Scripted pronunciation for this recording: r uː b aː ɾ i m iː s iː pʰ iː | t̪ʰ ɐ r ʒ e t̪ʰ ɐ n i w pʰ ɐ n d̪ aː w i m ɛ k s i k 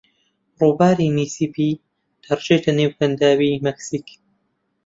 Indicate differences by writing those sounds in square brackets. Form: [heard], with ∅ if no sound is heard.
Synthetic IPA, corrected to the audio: r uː b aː ɾ i m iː s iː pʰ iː | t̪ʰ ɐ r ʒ e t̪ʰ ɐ n [e] w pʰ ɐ n d̪ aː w i m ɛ k s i k

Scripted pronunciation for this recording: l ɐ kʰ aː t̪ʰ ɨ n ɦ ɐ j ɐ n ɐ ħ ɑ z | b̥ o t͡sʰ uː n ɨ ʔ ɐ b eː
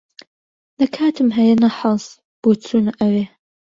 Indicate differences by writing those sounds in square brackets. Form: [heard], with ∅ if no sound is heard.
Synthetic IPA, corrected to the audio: l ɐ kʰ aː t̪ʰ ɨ [m] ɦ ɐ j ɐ n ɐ ħ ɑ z | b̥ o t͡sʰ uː n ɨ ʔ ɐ [w] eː

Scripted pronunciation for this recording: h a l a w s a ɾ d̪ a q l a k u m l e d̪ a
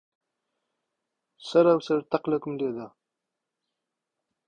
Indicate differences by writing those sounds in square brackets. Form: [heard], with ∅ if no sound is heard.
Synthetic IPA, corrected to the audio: [s] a [ɾ] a w s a ɾ [t̪] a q l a k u m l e d̪ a

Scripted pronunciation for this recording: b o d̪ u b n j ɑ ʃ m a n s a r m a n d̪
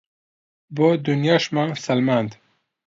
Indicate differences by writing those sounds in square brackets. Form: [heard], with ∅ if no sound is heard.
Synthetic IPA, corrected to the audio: b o d̪ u [∅] n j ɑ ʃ m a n s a [l] m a n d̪

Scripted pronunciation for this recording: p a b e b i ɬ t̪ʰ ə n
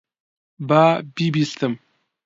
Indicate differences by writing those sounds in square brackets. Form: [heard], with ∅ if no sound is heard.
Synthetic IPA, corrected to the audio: [b] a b [i] b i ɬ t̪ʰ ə [m]

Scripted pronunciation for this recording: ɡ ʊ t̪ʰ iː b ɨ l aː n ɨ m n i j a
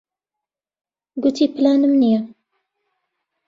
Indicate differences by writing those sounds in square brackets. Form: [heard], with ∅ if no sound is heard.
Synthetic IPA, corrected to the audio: ɡ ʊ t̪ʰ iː [p] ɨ l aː n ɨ m n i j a

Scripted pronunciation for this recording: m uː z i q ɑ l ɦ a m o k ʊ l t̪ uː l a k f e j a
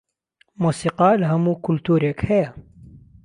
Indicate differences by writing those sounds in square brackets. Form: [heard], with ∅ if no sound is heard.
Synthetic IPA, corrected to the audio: m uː [s] i q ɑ l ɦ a m [u] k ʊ l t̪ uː [ɾ] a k [h] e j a

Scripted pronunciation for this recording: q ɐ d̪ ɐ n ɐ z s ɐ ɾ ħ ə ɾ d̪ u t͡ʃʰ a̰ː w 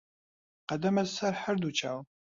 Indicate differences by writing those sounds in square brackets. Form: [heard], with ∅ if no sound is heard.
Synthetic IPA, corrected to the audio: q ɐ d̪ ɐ [m] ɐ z s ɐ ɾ ħ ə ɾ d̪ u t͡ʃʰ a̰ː w

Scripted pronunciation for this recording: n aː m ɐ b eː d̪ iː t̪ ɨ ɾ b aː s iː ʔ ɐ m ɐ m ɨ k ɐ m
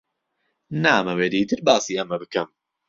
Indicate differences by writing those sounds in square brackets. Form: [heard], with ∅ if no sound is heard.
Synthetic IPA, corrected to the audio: n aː m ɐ [w] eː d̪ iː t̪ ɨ ɾ b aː s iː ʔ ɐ m ɐ [b] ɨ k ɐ m

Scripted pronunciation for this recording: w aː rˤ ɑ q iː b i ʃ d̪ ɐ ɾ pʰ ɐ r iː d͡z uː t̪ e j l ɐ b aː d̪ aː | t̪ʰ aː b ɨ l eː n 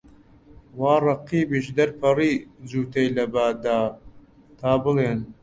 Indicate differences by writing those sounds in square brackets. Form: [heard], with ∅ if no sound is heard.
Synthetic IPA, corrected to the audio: w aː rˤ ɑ q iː b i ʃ d̪ ɐ ɾ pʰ ɐ r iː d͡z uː t̪ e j l ɐ b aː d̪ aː | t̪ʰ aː b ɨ l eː n

